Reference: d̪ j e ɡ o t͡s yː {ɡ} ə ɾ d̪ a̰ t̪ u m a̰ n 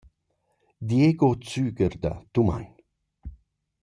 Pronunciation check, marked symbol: correct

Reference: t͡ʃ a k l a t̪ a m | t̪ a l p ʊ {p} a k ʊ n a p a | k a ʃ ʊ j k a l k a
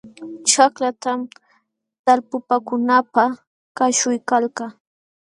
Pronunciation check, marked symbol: correct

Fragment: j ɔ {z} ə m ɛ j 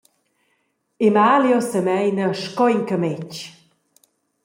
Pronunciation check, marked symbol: incorrect: s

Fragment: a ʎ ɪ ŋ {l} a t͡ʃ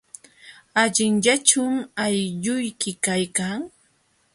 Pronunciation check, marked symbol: incorrect: ʎ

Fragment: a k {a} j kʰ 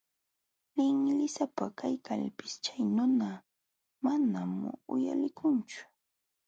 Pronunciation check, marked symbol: correct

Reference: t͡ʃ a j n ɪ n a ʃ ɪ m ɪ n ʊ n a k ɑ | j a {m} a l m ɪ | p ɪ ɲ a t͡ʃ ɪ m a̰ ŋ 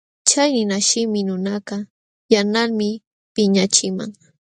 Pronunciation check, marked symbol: incorrect: n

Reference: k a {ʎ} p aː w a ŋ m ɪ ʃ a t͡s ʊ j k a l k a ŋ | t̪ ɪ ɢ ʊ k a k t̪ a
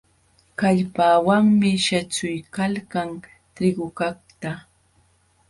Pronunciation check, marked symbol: correct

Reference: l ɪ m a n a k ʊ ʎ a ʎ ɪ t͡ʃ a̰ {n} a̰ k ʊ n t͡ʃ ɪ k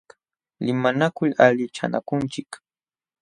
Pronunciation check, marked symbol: correct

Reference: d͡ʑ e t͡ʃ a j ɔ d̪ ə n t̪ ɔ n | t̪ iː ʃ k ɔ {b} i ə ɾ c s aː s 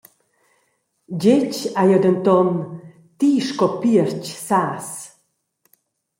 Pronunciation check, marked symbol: incorrect: p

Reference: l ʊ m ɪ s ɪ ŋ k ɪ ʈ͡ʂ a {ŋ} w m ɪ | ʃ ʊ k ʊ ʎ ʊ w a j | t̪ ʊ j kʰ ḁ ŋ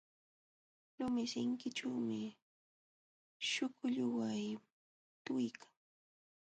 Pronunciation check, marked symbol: incorrect: none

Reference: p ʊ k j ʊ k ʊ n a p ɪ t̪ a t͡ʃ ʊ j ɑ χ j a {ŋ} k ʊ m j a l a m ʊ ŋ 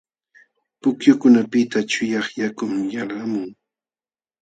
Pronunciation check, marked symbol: incorrect: none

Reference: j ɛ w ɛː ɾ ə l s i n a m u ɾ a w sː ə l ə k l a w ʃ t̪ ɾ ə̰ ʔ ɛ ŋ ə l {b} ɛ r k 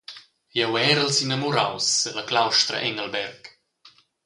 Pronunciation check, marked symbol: correct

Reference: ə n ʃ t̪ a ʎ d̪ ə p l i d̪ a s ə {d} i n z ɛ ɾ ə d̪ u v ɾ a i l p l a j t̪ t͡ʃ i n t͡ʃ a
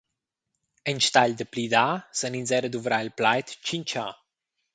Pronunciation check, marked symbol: incorrect: n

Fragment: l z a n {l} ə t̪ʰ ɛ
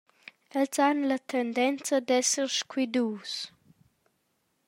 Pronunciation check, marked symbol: correct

